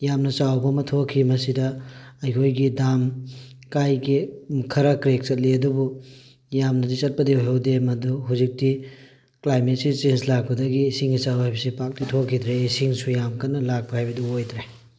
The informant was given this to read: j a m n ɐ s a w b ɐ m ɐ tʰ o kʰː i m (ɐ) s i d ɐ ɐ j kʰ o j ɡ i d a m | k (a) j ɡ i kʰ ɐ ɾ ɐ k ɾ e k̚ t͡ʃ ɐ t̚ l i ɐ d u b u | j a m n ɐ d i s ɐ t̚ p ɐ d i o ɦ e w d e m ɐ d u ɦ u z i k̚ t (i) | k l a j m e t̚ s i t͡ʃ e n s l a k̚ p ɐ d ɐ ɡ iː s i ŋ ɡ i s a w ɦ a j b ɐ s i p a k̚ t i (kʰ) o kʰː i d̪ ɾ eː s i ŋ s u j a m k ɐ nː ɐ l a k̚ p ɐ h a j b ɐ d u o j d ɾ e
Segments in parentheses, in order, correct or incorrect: correct, correct, correct, incorrect

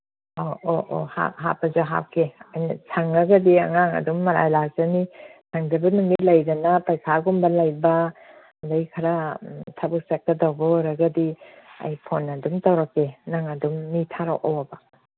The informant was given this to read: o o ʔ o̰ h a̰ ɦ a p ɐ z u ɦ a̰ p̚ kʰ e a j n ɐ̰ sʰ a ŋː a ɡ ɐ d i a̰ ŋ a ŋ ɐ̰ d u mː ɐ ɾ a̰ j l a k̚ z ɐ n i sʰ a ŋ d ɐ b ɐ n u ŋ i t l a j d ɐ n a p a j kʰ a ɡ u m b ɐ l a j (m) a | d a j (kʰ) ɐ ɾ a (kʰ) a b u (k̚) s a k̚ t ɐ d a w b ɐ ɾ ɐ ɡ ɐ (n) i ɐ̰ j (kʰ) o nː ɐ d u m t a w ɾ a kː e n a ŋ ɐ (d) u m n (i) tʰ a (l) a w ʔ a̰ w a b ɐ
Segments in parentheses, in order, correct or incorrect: incorrect, correct, incorrect, correct, incorrect, incorrect, correct, correct, incorrect

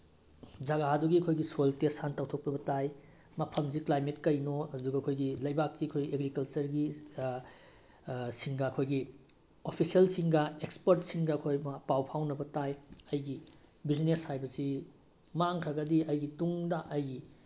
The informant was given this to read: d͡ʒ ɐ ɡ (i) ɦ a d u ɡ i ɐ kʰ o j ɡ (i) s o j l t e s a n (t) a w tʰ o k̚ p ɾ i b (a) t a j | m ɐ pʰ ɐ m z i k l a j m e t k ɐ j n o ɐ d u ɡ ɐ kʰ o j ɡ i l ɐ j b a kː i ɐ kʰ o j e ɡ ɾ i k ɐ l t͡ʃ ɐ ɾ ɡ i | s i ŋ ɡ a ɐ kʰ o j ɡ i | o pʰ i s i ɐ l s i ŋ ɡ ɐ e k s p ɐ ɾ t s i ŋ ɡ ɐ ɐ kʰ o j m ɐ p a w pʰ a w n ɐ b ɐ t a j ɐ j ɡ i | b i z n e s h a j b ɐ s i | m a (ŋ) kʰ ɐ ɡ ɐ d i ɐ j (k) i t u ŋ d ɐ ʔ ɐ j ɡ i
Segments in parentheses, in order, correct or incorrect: incorrect, correct, correct, incorrect, correct, incorrect

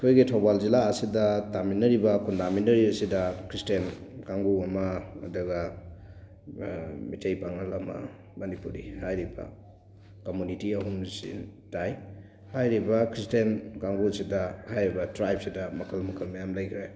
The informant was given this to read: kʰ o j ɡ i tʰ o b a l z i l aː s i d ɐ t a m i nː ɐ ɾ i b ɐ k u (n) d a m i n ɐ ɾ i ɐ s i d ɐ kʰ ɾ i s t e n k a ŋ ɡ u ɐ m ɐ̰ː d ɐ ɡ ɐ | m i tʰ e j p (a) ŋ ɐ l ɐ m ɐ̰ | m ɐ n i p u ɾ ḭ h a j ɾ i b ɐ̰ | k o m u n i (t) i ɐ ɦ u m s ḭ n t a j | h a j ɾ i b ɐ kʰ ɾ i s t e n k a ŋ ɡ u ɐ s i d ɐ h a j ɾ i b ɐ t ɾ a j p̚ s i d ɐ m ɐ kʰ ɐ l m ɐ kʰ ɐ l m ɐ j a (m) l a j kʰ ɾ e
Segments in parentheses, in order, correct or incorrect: correct, correct, correct, correct

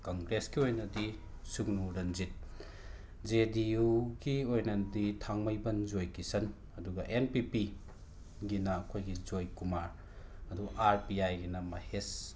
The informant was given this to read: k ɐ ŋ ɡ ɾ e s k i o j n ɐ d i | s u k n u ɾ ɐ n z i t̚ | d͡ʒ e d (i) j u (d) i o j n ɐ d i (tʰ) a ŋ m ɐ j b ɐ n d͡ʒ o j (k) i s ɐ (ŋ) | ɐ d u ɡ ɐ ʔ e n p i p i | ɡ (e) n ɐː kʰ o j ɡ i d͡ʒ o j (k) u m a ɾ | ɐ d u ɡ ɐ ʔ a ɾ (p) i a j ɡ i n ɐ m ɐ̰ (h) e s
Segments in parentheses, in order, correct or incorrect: correct, incorrect, correct, correct, incorrect, incorrect, correct, correct, correct

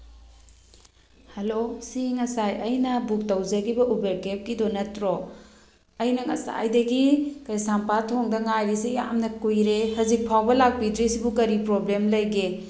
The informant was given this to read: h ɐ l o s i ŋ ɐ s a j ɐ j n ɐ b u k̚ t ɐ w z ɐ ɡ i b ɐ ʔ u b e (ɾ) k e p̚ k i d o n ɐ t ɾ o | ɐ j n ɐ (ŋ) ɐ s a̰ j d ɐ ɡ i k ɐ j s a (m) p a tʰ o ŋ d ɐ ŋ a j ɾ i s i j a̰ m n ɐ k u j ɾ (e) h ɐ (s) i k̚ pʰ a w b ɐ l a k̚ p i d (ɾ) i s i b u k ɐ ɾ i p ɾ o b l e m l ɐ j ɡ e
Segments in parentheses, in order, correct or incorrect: correct, correct, correct, correct, incorrect, correct

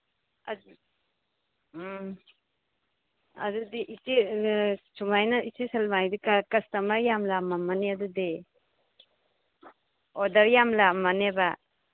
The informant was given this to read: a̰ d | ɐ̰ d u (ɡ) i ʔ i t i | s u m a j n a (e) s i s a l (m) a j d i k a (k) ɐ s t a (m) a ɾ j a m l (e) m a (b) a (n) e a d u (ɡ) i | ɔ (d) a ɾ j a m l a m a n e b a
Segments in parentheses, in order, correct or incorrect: incorrect, incorrect, correct, correct, correct, incorrect, incorrect, correct, incorrect, correct

